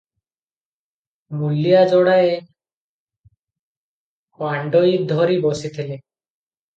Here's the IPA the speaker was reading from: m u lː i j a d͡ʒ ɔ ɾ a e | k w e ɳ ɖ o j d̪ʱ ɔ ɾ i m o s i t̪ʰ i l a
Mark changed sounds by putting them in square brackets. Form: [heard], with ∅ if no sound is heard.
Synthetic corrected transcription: m u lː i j a d͡ʒ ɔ [ɽ] a e | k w [a] ɳ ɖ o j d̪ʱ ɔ ɾ i [b] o s i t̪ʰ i l [e]